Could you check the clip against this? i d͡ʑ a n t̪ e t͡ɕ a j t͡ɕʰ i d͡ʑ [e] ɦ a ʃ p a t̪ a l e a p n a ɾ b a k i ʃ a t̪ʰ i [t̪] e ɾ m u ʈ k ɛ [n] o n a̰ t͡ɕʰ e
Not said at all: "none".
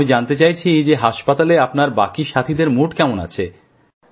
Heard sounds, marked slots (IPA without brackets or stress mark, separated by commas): e, d̪, m